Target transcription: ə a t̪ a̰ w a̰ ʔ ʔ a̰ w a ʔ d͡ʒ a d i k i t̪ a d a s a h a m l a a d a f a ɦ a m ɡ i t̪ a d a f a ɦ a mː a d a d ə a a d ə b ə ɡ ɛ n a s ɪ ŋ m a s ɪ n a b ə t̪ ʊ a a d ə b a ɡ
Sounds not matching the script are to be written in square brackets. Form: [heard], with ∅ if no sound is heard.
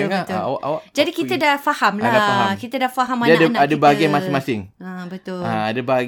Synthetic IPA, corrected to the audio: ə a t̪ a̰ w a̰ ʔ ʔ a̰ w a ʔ d͡ʒ a d i k i t̪ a d a [f] a h a m l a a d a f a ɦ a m [k] i t̪ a d a f a ɦ a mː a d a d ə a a d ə b [a] ɡ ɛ [m] a s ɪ ŋ m a s ɪ [ŋ] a b ə t̪ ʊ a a d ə b a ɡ